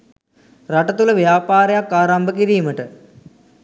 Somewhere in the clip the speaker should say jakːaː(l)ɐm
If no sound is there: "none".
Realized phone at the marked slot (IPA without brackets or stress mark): ɾ